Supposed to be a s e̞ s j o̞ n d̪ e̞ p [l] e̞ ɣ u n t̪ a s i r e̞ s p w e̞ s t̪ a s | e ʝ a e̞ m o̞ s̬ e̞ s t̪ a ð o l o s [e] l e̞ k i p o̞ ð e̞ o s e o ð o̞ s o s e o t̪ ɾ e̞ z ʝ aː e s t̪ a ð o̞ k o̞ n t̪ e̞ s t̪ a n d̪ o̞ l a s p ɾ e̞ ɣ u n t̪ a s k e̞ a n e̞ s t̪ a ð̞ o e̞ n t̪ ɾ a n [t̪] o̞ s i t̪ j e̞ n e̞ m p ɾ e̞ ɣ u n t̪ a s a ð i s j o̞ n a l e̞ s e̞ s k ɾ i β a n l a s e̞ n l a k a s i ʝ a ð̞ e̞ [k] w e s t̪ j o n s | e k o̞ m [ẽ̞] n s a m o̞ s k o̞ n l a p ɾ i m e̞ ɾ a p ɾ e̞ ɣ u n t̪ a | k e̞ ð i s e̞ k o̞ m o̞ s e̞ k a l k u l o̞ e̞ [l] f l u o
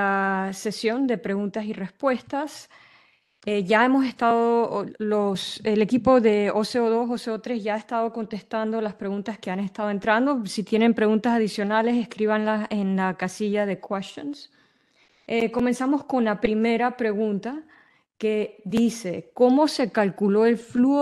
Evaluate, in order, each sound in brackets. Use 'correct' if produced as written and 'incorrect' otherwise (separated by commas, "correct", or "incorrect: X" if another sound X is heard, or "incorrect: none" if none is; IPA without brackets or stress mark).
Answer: incorrect: ɾ, correct, incorrect: d̪, correct, incorrect: e̞, correct